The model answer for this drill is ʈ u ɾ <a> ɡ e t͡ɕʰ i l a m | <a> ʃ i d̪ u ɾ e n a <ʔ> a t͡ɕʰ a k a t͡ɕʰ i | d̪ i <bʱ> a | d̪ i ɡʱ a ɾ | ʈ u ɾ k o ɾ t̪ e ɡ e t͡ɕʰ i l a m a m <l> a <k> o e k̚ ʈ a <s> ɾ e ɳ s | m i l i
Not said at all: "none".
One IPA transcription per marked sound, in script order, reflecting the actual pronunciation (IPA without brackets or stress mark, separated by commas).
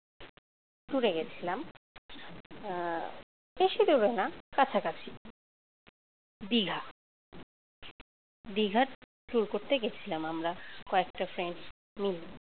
e, e, k, ɡʱ, ɾ, k, f